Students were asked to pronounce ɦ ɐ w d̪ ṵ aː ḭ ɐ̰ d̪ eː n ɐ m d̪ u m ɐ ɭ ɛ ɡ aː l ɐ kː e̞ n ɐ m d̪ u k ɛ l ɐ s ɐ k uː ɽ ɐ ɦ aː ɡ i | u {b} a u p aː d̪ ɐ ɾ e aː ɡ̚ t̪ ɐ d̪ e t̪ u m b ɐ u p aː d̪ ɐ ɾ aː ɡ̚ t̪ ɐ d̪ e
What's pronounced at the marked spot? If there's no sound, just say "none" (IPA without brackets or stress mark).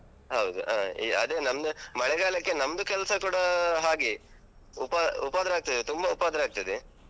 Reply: p